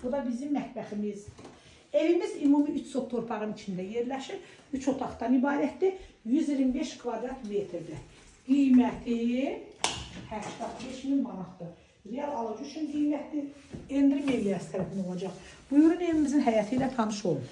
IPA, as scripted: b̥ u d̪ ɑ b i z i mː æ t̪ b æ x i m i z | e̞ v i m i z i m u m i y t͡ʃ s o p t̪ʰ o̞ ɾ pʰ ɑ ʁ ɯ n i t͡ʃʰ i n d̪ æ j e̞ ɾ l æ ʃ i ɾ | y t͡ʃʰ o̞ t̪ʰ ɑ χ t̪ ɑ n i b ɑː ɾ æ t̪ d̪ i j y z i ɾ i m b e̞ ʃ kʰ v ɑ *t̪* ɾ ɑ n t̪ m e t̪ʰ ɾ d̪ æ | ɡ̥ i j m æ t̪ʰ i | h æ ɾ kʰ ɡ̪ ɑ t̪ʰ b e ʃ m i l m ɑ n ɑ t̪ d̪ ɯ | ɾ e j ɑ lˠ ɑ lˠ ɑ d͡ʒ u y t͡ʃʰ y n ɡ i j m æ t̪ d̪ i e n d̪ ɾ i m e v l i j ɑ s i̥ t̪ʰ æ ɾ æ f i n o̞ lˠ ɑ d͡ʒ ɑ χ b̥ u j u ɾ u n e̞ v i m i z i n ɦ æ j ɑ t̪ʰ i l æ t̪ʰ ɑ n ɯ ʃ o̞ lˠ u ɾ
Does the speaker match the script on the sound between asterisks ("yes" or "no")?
no